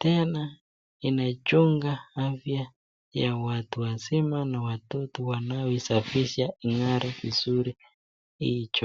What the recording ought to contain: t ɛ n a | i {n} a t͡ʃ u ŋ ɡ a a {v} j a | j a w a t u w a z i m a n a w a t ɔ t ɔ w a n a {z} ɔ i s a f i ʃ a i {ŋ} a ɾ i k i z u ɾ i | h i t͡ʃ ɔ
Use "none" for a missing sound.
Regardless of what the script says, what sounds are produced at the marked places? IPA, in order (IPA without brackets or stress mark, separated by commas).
n, f, none, ŋ